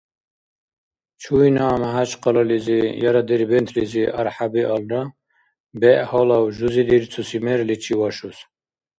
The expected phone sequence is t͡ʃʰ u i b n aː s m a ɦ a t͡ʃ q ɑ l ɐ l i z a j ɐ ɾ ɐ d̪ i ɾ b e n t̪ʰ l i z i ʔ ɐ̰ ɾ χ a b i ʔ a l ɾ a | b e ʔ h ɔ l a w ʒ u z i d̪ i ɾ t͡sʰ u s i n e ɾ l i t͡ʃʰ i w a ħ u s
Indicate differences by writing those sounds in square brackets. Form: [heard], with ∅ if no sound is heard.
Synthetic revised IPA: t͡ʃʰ u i [∅] n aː [∅] m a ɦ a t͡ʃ q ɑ l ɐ l i z [i] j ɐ ɾ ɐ d̪ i ɾ b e n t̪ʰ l i z i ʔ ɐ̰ ɾ [ħ] a b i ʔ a l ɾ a | b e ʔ h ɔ l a w ʒ u z i d̪ i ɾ t͡sʰ u s i [m] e ɾ l i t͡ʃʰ i w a [ʃ] u s